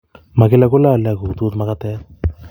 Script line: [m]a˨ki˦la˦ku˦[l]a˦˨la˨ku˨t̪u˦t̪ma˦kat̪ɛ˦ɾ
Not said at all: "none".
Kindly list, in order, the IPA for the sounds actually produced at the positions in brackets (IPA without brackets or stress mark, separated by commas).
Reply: m, l